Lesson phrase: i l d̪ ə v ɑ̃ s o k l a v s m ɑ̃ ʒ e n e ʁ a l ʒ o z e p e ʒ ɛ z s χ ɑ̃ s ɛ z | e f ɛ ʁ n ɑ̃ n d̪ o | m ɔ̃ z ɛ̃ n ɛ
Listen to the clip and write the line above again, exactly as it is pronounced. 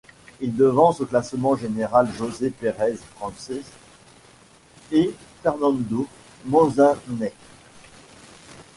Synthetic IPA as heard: i l d̪ ə v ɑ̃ s o k l a s m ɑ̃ ʒ e n e ʁ a l ʒ o z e p e ʁ ɛ z f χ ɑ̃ s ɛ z | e f ɛ ʁ n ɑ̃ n d̪ o | m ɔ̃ z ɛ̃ n ɛ